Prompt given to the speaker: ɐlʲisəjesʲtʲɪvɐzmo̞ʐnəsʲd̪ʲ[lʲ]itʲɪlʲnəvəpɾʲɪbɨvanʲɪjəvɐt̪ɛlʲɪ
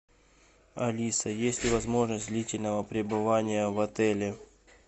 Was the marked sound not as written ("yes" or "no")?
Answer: no